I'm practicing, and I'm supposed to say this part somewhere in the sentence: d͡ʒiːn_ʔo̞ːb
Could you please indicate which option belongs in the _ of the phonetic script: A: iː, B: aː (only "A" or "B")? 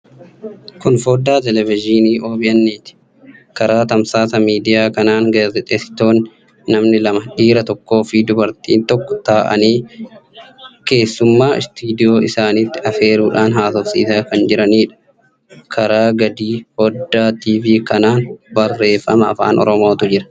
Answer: A